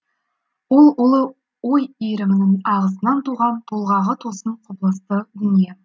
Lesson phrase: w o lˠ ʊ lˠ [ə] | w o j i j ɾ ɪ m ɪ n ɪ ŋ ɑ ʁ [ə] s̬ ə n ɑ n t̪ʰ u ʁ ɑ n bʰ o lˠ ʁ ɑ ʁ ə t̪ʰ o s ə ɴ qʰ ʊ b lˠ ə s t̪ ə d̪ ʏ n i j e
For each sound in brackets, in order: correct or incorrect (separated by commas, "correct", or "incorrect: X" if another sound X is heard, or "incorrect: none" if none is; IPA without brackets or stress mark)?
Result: correct, correct